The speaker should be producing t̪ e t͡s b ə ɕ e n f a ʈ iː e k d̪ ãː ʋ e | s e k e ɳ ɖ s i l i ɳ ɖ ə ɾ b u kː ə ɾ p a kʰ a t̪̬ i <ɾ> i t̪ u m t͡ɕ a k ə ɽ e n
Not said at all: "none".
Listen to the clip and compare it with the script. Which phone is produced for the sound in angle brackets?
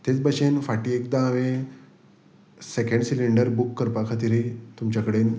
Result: ɾ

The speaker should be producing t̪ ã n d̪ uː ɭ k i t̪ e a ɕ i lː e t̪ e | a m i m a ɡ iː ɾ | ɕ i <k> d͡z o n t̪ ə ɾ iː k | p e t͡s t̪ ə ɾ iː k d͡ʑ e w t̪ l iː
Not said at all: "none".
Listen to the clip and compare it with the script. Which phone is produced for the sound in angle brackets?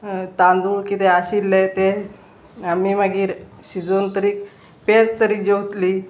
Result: none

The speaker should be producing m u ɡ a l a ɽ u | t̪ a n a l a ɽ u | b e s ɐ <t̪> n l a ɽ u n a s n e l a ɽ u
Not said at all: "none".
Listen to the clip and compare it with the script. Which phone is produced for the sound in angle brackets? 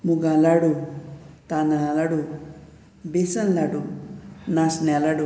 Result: none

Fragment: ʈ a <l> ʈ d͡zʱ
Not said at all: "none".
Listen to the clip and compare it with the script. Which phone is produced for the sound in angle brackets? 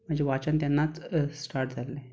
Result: ɾ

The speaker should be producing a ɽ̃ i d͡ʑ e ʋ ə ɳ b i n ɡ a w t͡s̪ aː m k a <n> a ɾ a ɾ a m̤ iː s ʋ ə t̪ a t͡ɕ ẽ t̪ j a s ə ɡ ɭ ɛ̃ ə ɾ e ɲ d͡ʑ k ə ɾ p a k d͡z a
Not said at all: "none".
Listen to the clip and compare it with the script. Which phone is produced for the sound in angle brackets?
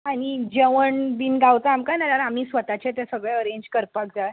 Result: n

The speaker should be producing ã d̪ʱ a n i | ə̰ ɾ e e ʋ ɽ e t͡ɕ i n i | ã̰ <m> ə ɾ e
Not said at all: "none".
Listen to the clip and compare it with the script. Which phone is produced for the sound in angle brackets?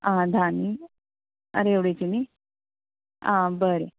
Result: b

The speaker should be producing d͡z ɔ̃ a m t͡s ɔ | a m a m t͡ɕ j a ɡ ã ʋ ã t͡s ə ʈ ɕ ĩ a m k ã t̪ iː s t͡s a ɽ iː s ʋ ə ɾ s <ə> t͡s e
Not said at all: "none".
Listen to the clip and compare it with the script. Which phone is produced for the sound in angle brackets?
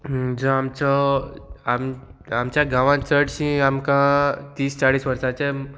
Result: a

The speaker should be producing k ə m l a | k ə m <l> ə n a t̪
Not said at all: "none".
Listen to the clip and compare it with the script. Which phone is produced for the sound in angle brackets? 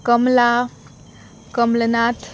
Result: l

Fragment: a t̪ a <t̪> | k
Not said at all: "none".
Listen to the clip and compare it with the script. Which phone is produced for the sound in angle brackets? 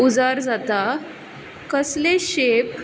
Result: none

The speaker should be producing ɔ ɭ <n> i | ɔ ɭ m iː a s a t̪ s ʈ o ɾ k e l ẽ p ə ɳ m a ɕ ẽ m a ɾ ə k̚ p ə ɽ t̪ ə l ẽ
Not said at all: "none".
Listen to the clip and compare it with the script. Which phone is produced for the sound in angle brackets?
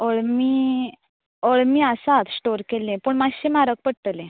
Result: m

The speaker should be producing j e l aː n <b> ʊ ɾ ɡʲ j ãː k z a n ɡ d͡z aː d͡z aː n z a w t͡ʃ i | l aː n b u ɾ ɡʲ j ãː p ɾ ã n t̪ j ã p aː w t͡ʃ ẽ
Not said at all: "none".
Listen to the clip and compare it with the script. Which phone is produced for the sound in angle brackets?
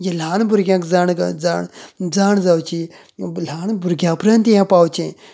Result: b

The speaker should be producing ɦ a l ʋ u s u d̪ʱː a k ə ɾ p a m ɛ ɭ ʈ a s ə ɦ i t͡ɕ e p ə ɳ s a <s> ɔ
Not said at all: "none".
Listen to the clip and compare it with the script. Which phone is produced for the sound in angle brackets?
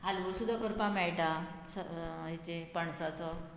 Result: t͡s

